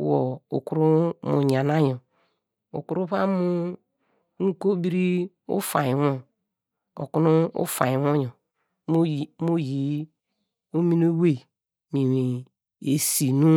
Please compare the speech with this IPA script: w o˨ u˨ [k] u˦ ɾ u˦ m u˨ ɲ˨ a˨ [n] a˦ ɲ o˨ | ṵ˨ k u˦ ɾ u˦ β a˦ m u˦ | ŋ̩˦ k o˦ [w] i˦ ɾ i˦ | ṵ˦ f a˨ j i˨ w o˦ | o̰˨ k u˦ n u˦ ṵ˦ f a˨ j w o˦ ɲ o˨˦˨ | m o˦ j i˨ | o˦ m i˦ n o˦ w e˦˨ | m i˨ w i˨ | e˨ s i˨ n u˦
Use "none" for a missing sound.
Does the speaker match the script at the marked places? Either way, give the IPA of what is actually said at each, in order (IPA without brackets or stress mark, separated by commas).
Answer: k, n, b